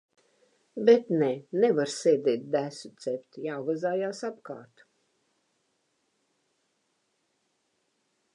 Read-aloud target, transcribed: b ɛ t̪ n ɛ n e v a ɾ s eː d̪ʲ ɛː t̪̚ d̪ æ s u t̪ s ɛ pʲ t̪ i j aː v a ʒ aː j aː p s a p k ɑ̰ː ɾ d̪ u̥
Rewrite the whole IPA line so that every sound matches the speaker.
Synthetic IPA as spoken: b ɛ t̪ n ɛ n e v a ɾ s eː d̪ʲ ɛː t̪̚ d̪ æ s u t̪ s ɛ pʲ t̪ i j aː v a z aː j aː s a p k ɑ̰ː ɾ t̪ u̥